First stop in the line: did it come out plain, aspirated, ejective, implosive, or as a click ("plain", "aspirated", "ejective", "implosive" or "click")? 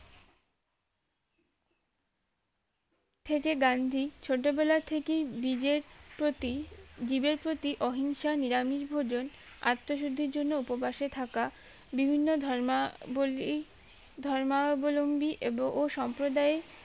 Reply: aspirated